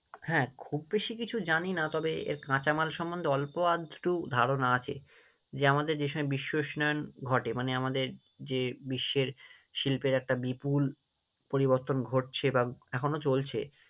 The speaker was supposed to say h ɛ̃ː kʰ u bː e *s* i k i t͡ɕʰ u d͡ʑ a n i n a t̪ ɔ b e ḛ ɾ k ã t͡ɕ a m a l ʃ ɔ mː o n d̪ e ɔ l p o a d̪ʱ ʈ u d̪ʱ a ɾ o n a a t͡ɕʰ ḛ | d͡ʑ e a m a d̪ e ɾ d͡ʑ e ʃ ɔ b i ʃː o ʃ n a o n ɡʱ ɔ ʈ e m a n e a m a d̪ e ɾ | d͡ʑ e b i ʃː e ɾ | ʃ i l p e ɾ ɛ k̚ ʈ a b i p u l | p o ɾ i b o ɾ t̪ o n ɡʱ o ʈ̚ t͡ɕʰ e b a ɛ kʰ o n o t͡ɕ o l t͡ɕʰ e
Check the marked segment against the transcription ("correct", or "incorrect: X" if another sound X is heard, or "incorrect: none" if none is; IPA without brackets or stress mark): incorrect: ʃ